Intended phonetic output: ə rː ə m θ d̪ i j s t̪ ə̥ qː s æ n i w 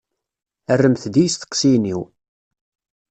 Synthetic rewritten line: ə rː ə m θ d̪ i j s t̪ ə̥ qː s i n i w